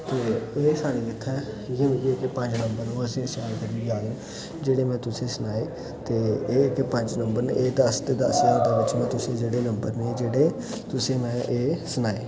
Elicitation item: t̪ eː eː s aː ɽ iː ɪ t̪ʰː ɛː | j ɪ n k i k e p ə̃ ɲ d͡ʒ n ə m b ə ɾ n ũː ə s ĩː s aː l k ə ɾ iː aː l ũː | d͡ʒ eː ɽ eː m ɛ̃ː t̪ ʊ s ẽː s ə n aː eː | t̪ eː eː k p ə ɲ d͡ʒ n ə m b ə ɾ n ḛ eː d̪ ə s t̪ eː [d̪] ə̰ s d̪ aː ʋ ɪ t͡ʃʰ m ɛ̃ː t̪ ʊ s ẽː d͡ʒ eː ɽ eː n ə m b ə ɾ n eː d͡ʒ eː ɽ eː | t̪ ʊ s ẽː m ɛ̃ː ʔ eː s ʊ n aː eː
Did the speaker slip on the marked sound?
no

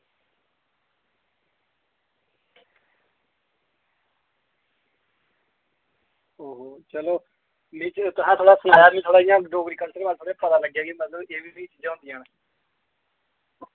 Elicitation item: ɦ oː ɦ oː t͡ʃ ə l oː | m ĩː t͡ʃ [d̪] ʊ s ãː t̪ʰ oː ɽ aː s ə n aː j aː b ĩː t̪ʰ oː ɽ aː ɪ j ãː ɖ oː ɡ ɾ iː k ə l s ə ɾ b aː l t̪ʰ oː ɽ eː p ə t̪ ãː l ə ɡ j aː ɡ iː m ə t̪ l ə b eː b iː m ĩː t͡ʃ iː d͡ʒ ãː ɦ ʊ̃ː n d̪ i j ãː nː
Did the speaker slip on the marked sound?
yes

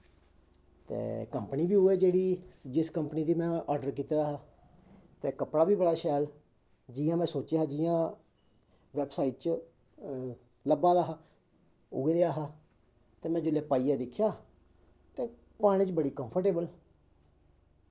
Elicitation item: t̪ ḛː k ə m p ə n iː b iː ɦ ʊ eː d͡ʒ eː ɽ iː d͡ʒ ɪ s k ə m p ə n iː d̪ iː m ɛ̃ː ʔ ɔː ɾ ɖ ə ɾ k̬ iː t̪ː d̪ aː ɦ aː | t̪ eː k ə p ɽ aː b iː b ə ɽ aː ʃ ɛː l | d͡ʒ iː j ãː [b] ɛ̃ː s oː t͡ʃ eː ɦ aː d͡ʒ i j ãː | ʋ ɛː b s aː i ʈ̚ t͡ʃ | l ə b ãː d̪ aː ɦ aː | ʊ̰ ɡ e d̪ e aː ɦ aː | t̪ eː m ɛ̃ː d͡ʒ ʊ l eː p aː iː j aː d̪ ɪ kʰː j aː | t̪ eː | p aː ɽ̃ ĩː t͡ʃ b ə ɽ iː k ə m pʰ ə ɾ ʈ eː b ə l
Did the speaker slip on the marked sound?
yes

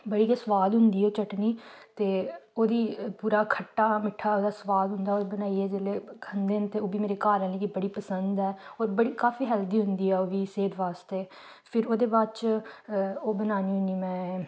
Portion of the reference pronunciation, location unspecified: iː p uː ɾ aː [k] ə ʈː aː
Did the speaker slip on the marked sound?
yes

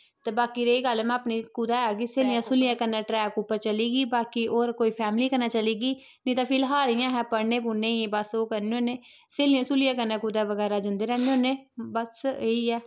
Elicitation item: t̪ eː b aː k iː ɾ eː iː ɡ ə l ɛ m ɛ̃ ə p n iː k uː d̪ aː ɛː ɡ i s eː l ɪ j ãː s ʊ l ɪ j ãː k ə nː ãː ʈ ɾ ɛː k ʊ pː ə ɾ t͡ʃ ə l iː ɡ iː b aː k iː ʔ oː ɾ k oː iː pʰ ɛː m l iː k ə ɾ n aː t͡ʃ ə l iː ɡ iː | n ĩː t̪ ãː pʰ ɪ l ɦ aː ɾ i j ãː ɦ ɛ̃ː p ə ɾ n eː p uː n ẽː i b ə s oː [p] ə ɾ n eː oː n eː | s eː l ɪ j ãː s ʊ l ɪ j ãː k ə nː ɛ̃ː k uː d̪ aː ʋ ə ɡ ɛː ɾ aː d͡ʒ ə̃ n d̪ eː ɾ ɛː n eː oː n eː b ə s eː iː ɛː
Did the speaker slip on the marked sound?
yes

